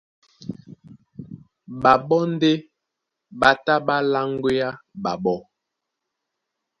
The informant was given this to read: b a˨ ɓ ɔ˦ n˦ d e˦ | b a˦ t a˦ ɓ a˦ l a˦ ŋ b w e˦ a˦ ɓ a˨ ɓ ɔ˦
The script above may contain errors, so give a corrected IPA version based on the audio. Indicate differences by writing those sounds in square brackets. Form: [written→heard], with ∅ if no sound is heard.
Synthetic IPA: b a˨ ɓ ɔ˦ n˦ d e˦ | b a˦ t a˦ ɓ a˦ l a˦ ŋ [b→ɡ] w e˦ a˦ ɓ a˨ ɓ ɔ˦